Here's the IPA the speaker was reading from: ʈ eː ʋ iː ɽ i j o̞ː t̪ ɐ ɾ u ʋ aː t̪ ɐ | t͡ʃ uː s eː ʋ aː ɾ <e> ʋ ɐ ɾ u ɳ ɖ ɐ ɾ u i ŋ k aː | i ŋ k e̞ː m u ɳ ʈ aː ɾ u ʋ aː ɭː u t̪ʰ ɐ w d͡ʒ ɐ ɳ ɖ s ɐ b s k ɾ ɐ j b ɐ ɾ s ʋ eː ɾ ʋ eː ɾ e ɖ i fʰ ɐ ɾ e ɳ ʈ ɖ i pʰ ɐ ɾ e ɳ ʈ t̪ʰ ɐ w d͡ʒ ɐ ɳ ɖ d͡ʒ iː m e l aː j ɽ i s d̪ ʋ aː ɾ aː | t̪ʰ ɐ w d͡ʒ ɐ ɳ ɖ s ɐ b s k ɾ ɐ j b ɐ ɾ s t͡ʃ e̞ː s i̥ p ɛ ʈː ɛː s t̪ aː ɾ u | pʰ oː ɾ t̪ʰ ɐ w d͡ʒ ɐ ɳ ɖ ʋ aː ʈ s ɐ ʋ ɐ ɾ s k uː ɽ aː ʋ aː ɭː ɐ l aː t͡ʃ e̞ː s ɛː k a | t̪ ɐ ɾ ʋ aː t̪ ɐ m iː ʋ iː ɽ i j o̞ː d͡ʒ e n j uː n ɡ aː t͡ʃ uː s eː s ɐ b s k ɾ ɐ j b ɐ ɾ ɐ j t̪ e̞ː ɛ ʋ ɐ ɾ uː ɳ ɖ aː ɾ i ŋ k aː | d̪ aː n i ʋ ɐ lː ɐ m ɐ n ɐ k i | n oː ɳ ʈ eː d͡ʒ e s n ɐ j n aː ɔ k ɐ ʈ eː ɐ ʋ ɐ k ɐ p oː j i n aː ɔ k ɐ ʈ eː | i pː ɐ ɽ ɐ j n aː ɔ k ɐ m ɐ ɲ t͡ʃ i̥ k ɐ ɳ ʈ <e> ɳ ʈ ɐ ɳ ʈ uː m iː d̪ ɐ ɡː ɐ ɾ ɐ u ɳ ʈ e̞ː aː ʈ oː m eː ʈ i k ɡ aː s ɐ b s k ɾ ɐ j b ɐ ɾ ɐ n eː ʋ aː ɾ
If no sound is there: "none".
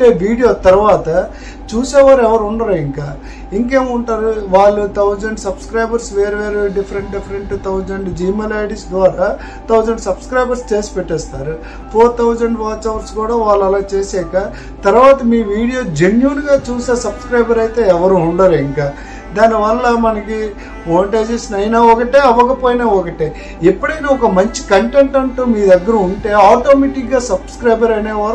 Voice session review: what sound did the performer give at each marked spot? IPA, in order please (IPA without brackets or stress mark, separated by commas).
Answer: ɛ, e